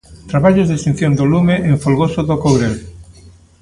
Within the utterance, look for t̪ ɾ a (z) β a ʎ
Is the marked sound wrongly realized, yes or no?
yes